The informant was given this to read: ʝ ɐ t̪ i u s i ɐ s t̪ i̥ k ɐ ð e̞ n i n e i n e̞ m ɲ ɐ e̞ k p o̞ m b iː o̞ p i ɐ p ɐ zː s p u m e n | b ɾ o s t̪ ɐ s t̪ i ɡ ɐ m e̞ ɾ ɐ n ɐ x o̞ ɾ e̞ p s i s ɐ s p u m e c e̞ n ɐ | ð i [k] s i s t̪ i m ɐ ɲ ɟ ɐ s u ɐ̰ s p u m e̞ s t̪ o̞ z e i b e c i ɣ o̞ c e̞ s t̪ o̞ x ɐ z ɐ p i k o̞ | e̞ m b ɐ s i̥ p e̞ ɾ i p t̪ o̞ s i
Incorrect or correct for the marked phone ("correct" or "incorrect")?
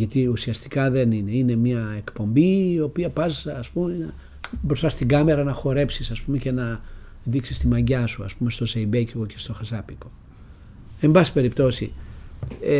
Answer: correct